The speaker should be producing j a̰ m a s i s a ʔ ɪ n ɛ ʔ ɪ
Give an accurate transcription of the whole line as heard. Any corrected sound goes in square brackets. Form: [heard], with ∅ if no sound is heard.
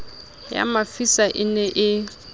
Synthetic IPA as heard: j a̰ m a [f] i s a ʔ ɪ n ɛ ʔ ɪ

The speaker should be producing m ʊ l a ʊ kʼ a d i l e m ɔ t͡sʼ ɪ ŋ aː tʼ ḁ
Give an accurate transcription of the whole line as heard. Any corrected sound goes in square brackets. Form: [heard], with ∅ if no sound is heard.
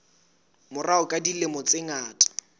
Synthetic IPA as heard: m ʊ [r] a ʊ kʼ a d i l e m ɔ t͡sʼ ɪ ŋ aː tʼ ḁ

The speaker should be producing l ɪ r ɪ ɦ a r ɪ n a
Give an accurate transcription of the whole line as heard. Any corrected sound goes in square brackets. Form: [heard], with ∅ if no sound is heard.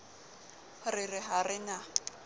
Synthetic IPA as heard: [r] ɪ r ɪ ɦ a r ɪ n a

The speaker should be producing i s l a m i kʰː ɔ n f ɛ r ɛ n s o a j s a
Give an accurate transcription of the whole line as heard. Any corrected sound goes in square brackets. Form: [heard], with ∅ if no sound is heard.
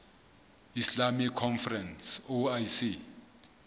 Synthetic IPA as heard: i s l a m i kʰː ɔ n f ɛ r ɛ n s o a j s [i]

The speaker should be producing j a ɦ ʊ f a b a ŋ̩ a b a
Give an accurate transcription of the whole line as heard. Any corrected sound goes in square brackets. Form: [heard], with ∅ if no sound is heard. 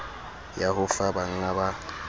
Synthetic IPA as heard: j a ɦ ʊ f a b a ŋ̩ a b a

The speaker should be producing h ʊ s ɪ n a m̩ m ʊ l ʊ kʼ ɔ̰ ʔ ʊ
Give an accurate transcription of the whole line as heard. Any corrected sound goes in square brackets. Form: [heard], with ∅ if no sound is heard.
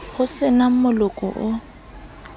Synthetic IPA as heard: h ʊ s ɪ n a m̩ m ʊ l ʊ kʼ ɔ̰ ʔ ʊ

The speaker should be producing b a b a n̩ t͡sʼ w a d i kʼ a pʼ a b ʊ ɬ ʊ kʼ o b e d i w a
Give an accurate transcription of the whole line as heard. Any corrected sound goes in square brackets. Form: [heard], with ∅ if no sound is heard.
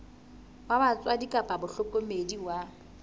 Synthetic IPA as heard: [w] a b a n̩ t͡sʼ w a d i kʼ a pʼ a b ʊ ɬ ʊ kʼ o [m] e d i w a

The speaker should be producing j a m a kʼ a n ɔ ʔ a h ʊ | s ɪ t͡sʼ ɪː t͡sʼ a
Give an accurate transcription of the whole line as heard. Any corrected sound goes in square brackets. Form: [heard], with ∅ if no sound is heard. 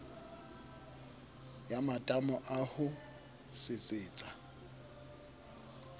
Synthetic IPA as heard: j a m a [tʼ] a [m] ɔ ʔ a h ʊ | s ɪ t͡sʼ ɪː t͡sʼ a

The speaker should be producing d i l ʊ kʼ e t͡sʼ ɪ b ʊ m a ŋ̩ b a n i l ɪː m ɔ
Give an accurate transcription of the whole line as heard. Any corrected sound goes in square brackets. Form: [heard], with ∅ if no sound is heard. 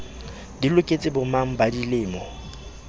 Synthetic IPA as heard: d i l ʊ kʼ e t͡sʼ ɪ b ʊ m a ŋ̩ b a [d] i l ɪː m ɔ

